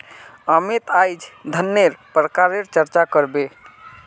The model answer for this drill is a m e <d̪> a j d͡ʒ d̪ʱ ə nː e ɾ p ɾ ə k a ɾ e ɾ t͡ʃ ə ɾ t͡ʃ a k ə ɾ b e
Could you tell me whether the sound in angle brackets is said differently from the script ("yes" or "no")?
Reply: yes